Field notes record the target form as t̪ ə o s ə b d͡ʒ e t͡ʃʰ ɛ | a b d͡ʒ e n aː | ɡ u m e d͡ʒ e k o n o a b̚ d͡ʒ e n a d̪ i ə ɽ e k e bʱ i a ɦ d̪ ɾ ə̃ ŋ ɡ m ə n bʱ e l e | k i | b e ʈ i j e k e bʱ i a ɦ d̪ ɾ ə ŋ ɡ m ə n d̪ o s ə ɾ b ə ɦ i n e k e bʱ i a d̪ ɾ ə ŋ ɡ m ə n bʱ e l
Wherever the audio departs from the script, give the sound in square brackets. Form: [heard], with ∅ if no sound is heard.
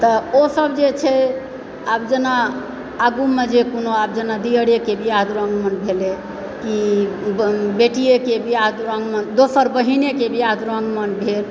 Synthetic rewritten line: t̪ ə o s ə b d͡ʒ e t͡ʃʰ ɛ | a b d͡ʒ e n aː | ɡ u m e d͡ʒ e k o n o a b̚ d͡ʒ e n a d̪ i ə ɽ e k e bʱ i a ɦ d̪ ɾ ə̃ ŋ ɡ m ə n bʱ e l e | k i | b e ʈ i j e k e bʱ i a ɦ d̪ ɾ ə ŋ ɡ m ə n d̪ o s ə ɾ b ə ɦ i n e k e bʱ i a d̪ ɾ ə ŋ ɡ m ə n bʱ e l